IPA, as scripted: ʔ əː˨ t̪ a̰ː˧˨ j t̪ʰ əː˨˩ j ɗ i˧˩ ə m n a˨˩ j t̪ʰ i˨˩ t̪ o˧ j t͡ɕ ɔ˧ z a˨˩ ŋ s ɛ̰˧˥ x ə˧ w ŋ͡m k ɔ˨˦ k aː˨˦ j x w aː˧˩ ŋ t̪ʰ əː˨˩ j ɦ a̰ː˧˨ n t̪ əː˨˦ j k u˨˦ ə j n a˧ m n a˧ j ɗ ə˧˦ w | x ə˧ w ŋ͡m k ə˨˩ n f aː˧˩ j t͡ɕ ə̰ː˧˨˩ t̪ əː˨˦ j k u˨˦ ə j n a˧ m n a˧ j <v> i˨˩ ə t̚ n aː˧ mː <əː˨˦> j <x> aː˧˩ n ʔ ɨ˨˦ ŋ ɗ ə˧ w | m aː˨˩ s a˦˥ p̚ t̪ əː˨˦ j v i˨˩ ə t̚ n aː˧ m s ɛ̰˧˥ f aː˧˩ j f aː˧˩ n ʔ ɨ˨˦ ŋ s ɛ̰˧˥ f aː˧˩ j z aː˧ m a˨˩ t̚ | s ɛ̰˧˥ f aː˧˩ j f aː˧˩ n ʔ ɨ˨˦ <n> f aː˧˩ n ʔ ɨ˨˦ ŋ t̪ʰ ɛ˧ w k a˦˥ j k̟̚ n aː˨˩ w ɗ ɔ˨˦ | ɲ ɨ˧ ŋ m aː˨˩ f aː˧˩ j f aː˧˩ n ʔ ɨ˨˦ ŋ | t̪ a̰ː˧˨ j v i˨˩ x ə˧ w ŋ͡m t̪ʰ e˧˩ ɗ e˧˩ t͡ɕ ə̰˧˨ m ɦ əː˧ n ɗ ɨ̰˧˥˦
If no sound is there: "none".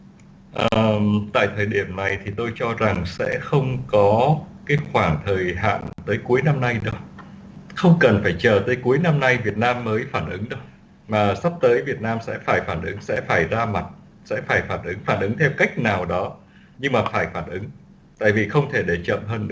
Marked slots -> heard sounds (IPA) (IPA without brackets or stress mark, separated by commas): v, əː˨˦, f, ŋ